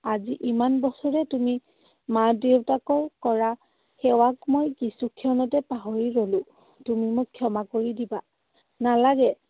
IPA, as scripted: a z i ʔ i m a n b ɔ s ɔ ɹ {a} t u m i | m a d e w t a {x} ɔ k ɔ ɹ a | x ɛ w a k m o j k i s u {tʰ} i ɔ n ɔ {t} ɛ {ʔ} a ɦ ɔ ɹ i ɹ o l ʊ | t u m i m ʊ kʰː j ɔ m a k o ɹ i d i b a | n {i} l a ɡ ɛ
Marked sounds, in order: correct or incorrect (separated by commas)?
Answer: incorrect, incorrect, incorrect, correct, incorrect, incorrect